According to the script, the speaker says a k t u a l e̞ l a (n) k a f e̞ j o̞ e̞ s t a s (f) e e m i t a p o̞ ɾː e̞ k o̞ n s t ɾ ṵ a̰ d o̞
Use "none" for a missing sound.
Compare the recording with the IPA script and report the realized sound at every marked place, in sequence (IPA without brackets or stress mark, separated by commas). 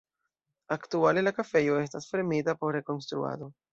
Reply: none, f